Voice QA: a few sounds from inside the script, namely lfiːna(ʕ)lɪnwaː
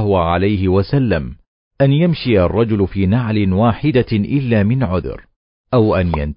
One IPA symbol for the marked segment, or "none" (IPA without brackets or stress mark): ʕ